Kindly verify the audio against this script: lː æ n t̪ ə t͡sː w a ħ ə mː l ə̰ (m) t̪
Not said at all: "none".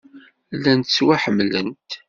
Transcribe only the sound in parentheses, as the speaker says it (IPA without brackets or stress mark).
n